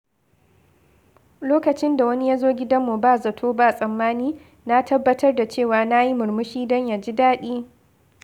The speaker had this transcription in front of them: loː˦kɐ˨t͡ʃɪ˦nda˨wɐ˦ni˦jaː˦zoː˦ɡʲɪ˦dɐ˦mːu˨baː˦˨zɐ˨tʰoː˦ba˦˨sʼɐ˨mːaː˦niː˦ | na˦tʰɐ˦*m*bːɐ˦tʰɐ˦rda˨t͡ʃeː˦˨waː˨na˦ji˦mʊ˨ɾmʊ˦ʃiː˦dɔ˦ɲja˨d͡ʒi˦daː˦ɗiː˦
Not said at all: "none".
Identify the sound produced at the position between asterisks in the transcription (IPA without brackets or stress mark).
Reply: none